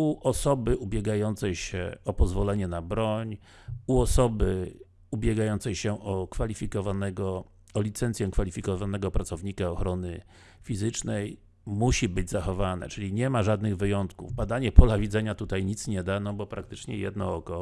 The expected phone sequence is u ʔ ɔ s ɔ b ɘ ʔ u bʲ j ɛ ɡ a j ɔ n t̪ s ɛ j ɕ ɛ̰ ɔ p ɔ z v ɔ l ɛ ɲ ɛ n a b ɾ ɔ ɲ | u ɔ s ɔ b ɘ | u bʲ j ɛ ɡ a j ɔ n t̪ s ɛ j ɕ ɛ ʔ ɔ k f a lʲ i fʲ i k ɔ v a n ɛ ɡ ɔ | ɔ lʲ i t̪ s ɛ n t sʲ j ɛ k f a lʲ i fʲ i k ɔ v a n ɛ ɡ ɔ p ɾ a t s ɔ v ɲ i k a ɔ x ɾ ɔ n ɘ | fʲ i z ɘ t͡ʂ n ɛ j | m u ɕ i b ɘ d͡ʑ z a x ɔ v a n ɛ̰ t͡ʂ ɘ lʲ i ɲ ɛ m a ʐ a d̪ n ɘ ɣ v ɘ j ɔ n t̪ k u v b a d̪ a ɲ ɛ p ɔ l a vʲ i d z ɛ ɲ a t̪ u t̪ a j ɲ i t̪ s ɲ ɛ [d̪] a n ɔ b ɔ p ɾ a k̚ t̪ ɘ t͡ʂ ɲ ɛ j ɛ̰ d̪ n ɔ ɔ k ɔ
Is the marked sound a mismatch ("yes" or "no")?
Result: no